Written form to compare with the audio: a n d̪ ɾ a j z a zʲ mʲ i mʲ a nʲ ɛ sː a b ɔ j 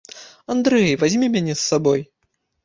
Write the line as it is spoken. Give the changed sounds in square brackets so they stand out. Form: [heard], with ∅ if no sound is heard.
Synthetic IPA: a n d̪ ɾ [ɛ] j [v] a zʲ mʲ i mʲ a nʲ ɛ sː a b ɔ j